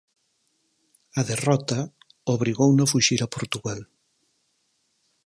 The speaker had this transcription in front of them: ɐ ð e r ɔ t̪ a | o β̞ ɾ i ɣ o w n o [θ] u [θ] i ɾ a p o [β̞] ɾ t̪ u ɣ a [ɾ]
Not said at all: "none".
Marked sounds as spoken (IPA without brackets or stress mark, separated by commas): f, ʃ, none, l